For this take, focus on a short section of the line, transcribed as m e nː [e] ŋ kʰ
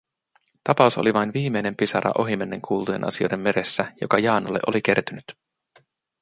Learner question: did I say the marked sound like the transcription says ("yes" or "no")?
yes